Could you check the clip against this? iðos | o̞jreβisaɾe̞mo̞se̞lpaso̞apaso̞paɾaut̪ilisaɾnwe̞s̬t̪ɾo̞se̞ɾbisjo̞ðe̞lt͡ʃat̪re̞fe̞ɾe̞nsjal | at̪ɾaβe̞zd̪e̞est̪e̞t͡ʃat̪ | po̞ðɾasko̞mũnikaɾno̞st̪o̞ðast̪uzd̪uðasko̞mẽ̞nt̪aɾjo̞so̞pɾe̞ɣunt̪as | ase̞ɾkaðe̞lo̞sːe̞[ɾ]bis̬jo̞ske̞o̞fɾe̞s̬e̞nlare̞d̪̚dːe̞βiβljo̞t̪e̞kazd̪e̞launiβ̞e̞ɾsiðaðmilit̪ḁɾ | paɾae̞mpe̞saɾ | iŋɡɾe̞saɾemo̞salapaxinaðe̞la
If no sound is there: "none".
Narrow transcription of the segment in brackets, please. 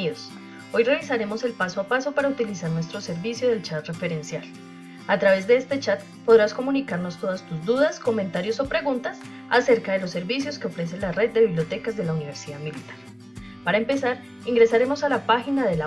ɾ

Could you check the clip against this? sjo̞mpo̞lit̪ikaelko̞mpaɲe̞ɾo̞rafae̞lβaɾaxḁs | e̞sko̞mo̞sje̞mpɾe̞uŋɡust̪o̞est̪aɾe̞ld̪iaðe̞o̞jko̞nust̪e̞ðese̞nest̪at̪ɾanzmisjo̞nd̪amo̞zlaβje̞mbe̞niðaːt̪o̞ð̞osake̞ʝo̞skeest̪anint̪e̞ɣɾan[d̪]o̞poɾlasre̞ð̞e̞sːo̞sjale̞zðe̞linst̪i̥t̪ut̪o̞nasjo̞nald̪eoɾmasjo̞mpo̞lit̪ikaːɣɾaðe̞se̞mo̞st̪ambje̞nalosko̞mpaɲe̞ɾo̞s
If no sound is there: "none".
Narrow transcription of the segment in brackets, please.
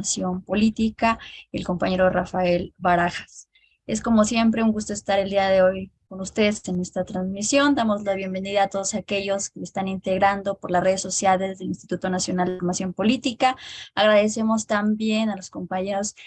d̪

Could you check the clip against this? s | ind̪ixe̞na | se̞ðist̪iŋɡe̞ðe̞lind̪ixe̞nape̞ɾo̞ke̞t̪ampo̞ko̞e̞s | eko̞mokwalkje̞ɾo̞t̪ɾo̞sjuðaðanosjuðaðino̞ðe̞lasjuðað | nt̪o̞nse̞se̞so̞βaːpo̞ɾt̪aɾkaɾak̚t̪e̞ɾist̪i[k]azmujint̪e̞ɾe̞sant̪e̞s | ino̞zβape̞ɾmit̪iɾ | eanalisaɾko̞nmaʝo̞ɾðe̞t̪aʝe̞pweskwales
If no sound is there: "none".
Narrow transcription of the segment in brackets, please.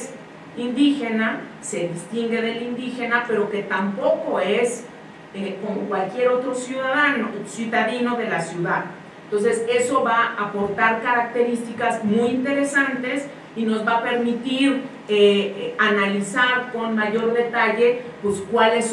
k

